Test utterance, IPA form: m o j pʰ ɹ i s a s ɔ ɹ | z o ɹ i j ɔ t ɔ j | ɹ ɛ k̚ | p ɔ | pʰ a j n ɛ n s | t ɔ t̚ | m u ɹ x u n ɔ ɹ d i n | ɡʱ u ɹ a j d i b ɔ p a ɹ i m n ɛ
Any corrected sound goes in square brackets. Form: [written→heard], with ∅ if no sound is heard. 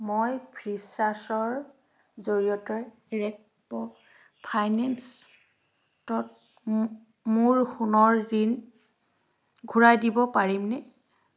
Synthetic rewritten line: m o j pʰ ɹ i s a s ɔ ɹ | z o ɹ i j ɔ t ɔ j | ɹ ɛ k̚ | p ɔ | pʰ a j n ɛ n s | t ɔ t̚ | m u ɹ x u n ɔ ɹ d i n | ɡʱ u ɹ a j d i b ɔ p a ɹ i m n ɛ